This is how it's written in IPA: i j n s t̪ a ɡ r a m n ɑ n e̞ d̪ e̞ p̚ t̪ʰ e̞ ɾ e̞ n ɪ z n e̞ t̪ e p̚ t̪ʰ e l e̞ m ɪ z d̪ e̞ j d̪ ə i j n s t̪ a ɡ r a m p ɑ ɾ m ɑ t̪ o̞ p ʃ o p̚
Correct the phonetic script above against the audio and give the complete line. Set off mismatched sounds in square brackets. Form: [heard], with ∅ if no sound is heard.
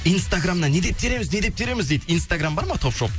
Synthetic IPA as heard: i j n s t̪ a ɡ r a m n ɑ n e̞ d̪ e̞ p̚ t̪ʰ e̞ ɾ e̞ [m] ɪ z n e̞ [d̪] e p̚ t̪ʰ e [ɾ] e̞ m ɪ z d̪ e̞ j d̪ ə i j n s t̪ a ɡ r a m [b] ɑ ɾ m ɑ [t̪ʰ] o̞ p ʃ o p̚